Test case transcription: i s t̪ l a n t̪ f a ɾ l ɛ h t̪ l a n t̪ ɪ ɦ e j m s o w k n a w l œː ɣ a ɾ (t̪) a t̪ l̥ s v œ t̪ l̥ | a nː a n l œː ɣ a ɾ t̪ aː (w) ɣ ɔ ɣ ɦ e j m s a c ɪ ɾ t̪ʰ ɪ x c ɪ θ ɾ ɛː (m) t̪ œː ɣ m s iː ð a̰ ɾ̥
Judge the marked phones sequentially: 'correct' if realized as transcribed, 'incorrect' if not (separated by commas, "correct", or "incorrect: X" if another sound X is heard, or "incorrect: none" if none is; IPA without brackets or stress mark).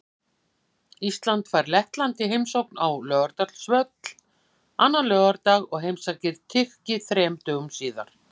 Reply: correct, incorrect: none, correct